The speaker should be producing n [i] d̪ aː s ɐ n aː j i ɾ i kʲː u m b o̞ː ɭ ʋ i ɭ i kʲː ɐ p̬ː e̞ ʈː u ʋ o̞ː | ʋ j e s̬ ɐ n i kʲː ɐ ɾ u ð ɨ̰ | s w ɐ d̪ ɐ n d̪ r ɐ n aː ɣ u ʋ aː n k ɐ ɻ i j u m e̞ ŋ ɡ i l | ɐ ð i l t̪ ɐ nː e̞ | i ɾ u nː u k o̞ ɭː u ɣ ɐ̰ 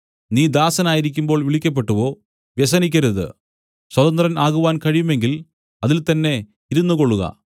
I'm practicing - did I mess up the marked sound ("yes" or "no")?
yes